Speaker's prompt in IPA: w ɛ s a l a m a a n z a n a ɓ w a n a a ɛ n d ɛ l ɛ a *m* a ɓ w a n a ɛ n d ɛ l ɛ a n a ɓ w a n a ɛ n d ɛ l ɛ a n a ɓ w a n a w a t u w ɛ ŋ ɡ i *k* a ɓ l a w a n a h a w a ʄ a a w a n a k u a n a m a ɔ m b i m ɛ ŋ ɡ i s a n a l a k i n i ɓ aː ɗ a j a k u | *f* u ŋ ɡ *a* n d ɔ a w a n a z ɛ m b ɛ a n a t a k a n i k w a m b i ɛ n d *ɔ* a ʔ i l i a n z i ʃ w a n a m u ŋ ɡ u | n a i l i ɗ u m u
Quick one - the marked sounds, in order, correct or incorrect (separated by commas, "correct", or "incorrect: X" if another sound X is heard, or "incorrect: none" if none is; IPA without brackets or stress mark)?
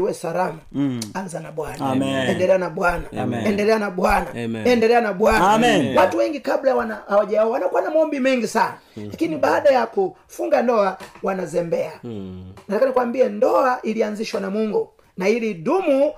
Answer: incorrect: n, correct, correct, correct, correct